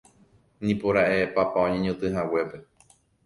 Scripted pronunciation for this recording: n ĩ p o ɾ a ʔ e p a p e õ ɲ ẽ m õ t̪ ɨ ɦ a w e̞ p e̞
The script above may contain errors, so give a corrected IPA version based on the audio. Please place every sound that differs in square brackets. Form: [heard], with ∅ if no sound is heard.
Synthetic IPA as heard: n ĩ p o ɾ a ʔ e p a p [a] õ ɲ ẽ [ɲ] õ t̪ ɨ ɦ a w e̞ p e̞